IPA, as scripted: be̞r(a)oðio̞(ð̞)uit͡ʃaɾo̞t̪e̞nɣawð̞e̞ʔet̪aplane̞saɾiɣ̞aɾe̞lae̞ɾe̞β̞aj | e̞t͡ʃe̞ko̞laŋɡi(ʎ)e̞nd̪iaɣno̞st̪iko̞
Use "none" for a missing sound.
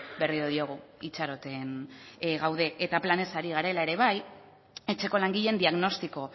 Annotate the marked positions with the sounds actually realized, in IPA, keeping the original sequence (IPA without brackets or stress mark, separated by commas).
i, ɣ̞, ʎ